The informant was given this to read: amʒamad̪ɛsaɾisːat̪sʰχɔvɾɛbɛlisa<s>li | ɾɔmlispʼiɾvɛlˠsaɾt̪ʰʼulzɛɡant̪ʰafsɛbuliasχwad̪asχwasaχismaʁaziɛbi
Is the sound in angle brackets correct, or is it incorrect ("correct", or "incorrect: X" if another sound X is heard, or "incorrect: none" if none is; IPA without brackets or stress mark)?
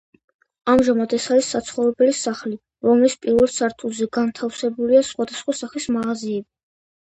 incorrect: χ